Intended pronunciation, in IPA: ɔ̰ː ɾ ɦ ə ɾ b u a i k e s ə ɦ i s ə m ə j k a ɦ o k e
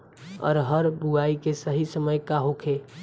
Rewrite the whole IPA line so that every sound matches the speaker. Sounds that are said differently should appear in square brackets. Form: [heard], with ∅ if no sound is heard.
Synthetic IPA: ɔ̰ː ɾ ɦ ə ɾ b u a i k e s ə ɦ i s ə m ə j k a ɦ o [kʰ] e